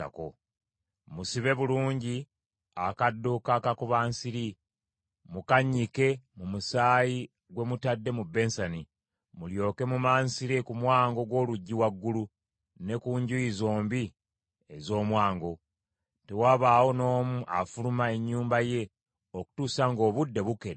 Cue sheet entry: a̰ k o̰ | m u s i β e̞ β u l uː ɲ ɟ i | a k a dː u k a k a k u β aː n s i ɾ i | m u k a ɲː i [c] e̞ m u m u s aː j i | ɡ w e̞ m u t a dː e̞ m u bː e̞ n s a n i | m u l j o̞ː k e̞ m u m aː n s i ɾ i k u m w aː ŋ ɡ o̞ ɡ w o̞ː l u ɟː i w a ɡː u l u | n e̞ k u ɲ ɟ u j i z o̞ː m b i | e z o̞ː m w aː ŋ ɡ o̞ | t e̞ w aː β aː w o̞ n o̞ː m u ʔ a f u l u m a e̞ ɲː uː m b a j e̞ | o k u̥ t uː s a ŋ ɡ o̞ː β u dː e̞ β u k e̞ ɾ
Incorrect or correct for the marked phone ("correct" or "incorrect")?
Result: incorrect